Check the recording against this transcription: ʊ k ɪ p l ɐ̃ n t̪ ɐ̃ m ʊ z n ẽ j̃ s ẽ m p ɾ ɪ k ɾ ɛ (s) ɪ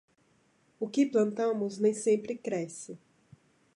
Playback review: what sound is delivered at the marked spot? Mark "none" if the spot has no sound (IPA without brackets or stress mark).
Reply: s